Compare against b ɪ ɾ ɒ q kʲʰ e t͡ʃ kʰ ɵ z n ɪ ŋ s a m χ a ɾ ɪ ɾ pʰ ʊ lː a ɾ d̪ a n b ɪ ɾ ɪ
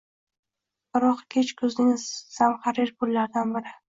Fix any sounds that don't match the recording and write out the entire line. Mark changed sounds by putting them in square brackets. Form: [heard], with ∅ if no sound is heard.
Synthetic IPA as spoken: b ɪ ɾ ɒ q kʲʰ e t͡ʃ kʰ ɵ z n ɪ ŋ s a m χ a ɾ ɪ ɾ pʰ ʊ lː a ɾ d̪ a n b ɪ ɾ ɪ